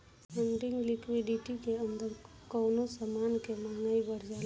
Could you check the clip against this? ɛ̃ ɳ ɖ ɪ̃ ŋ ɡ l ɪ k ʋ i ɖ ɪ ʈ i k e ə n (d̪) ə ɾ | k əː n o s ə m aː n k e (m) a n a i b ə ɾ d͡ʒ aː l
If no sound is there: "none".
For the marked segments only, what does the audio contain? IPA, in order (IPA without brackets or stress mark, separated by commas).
d̪, m